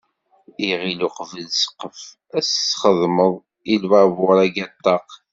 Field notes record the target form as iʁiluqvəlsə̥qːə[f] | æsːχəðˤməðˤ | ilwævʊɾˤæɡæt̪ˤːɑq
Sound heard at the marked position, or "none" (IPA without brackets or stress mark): f